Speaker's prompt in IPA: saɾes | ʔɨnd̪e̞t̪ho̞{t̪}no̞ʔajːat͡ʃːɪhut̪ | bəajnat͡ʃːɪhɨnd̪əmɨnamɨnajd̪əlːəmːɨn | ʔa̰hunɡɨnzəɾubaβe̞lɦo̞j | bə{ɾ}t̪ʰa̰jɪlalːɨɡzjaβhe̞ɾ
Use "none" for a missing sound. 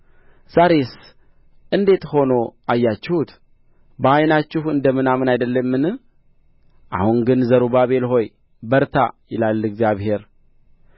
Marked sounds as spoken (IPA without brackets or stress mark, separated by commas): none, ɾ